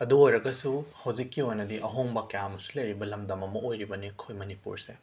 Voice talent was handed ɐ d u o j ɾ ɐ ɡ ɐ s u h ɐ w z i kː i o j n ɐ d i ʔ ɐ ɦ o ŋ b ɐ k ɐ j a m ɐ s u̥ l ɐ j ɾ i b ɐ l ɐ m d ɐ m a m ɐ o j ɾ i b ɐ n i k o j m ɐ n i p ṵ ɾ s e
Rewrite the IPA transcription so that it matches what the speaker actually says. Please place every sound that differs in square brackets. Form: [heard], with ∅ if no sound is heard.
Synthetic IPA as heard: ɐ d u o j ɾ ɐ ɡ ɐ s u h ɐ w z i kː i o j n ɐ d i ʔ ɐ ɦ o ŋ b ɐ k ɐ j a m ɐ s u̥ l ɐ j ɾ i b ɐ l ɐ m d ɐ m [ɐ] m ɐ o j ɾ i b ɐ n i [kʰ] o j m ɐ n i p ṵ ɾ s e

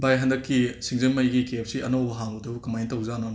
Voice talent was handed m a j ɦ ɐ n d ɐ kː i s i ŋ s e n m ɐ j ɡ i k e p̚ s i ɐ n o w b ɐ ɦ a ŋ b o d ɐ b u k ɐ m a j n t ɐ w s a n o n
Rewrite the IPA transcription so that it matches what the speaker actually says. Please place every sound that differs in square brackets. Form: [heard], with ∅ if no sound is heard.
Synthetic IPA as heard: [b] a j ɦ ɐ n d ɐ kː i s i ŋ [z] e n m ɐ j ɡ i k e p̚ s i ɐ n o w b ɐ ɦ a ŋ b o d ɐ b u k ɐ m a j n t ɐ w [z] a n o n

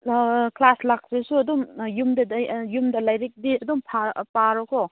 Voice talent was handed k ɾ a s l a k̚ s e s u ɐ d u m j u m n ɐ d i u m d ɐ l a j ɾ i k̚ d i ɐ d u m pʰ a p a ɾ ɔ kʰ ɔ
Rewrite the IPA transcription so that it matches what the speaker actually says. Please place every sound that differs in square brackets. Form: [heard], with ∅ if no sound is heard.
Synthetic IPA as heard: k [l] a s l a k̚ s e s u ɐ d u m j u m [d] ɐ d [j] u m d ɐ l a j ɾ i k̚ d i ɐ d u m pʰ a p a ɾ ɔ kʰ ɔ

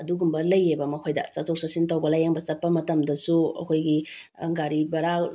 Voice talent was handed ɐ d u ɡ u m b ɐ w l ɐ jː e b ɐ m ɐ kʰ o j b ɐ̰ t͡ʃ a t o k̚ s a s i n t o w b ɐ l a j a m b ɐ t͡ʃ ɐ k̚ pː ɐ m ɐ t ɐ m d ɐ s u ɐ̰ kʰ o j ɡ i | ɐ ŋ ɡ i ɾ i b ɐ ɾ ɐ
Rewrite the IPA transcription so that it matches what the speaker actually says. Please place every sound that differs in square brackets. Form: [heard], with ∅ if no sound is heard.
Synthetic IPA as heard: ɐ d u ɡ u m b ɐ [∅] l ɐ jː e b ɐ m ɐ kʰ o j [d] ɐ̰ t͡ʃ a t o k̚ s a s i n t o w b ɐ l a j a [ŋ] b ɐ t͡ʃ ɐ [t̚] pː ɐ m ɐ t ɐ m d ɐ s u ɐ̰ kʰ o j ɡ i | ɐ ŋ ɡ [a] ɾ i b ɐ ɾ [a]

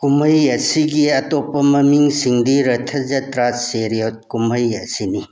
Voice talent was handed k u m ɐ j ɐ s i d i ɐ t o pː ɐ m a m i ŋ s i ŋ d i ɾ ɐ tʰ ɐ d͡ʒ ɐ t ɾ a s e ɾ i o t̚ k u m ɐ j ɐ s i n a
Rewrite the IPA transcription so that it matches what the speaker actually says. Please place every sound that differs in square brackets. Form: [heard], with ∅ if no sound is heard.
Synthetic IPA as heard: k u m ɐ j ɐ s i [ɡ] i ɐ t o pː ɐ m [ɐ] m i ŋ s i ŋ d i ɾ ɐ tʰ ɐ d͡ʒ ɐ t ɾ a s e ɾ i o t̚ k u m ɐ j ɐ s i n [i]

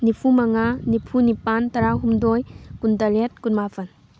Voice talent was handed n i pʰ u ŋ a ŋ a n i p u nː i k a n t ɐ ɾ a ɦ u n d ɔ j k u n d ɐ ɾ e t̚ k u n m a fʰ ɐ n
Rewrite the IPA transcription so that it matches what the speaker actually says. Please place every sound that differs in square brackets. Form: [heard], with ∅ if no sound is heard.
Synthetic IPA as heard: n i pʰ u [m] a ŋ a n i [pʰ] u [n] i [p] a n t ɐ ɾ a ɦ u [m] d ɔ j k u n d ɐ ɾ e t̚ k u n m a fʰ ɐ n

